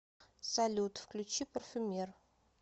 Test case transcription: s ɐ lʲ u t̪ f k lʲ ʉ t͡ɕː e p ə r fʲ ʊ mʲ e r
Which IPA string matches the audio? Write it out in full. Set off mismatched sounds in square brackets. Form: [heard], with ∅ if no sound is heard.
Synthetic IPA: s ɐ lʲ u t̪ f k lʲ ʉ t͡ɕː [i] p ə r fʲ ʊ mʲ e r

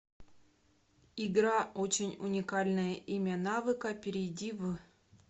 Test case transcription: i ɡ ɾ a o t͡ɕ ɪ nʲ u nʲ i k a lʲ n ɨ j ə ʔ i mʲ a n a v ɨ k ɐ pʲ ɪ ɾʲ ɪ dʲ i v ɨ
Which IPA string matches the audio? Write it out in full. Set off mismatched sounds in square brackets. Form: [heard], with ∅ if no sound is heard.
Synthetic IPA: i ɡ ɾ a o t͡ɕ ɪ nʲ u nʲ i k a lʲ n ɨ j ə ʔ i mʲ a n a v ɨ k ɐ pʲ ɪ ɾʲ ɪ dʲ i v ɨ

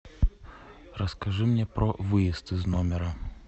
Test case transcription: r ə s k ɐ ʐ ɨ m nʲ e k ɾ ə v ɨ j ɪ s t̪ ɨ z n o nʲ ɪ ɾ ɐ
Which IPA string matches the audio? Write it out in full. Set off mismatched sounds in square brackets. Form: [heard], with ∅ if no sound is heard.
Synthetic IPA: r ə s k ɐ ʐ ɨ m nʲ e [p] ɾ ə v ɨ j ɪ s t̪ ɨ z n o [mʲ] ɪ ɾ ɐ

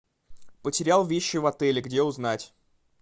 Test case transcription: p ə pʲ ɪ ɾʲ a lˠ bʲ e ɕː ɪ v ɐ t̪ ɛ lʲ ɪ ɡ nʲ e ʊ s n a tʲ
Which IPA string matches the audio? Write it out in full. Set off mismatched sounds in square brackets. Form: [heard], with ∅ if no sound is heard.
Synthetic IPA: p ə [tʲ] ɪ ɾʲ a lˠ [vʲ] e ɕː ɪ v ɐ t̪ ɛ lʲ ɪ ɡ [dʲ] e ʊ [z] n a tʲ

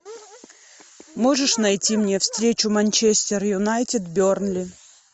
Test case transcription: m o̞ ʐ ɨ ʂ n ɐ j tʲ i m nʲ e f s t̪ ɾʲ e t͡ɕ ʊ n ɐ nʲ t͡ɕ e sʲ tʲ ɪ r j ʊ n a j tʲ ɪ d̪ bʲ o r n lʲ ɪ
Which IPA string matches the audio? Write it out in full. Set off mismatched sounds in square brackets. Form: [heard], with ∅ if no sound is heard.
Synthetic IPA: m o̞ ʐ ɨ ʂ n ɐ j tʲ i m nʲ e f s t̪ ɾʲ e t͡ɕ ʊ [m] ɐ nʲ t͡ɕ e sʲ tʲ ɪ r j ʊ n a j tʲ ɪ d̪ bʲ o r n lʲ ɪ

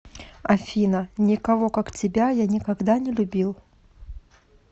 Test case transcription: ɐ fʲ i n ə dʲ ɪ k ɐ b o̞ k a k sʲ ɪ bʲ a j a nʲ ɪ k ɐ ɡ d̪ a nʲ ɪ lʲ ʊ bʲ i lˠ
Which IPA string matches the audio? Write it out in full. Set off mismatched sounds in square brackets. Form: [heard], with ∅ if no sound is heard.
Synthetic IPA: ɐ fʲ i n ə [nʲ] ɪ k ɐ [v] o̞ k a k [tʲ] ɪ bʲ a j a nʲ ɪ k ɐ ɡ d̪ a nʲ ɪ lʲ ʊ bʲ i lˠ

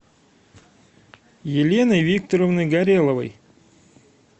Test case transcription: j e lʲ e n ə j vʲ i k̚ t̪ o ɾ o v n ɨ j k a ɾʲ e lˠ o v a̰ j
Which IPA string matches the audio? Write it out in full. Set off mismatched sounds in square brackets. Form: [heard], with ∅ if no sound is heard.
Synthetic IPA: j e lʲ e n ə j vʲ i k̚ t̪ o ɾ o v n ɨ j [ɡ] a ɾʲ e lˠ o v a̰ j

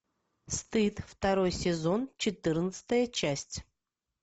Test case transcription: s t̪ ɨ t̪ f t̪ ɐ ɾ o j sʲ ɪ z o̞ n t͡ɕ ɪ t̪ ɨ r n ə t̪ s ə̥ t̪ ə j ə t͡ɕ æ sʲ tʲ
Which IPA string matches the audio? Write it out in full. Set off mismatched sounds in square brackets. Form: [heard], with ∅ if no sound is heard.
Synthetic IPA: s t̪ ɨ t̪ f t̪ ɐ ɾ o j sʲ ɪ z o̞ n t͡ɕ ɪ t̪ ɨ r n ə t̪ s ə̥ t̪ ə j ə t͡ɕ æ sʲ tʲ

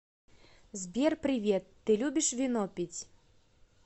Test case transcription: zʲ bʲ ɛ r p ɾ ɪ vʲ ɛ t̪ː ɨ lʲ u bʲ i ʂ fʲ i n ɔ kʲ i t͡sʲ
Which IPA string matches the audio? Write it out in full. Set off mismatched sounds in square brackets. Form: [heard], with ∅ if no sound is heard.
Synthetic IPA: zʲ bʲ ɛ r p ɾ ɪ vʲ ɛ t̪ː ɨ lʲ u bʲ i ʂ [vʲ] i n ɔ [pʲ] i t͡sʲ

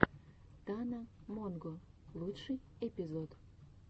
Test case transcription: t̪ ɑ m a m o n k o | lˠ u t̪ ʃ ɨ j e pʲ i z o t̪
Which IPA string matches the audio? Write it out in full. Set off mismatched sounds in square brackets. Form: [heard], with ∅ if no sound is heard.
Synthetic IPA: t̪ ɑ [n] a m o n [ɡ] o | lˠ u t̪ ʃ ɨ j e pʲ i z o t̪

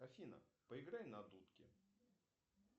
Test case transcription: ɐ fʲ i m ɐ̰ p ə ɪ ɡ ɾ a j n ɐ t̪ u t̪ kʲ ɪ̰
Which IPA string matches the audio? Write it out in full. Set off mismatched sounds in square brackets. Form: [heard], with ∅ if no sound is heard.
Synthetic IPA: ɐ fʲ i [n] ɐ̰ p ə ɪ ɡ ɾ a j n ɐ [d̪] u t̪ kʲ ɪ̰

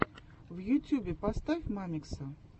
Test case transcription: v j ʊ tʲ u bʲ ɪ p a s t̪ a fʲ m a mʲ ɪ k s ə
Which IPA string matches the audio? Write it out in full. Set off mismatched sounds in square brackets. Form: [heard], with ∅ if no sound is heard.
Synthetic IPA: v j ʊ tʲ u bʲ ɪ p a s t̪ a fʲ m a mʲ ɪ k s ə

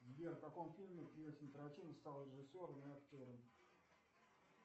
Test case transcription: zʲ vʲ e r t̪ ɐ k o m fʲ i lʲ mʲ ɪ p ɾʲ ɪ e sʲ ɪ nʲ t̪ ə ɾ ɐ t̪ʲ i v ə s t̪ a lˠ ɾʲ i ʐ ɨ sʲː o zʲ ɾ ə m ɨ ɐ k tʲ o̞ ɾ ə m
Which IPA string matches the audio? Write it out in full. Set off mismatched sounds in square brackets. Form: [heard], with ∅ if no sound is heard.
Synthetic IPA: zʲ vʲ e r t̪ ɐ k o m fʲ i lʲ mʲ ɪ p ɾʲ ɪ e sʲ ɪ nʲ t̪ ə ɾ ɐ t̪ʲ i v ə s t̪ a lˠ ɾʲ [ɪ] ʐ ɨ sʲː o [∅] ɾ ə m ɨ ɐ k tʲ o̞ ɾ ə m

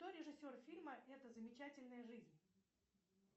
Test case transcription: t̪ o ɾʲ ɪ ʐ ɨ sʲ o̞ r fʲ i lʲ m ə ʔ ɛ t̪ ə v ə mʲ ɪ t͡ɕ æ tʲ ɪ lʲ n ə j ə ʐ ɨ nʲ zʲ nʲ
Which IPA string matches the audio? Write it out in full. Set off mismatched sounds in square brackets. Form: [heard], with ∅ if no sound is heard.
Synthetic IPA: t̪ o ɾʲ ɪ ʐ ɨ sʲ o̞ r fʲ i lʲ m ə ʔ ɛ t̪ ə [z] ə mʲ ɪ t͡ɕ æ tʲ ɪ lʲ n ə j ə ʐ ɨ [∅] zʲ nʲ

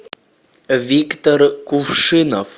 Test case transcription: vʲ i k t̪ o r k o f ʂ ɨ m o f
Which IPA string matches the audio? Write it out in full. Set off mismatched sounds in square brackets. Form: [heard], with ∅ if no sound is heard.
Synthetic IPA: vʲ i k t̪ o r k [u] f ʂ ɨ [n] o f

